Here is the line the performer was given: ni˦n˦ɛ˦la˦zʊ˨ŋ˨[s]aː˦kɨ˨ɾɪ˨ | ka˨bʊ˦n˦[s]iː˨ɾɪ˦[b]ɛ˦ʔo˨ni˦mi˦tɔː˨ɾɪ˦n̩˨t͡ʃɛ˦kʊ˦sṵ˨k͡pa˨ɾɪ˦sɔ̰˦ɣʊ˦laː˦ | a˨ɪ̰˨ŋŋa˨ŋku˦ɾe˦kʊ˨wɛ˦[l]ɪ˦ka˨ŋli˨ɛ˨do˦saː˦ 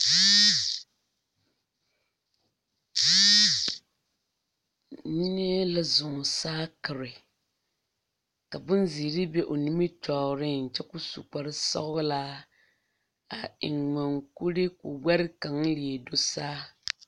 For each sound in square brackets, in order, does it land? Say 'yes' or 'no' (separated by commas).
yes, no, yes, no